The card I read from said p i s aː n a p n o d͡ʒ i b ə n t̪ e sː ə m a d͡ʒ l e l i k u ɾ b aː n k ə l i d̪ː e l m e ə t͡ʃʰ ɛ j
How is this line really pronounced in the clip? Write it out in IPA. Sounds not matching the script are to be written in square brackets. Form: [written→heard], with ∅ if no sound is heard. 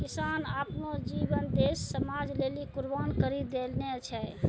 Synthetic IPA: [p→k] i s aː n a p n o d͡ʒ i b ə n [t̪→d̪] e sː ə m a d͡ʒ l e l i k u ɾ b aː n k ə [l→ɾ] i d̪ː e l [m→n] e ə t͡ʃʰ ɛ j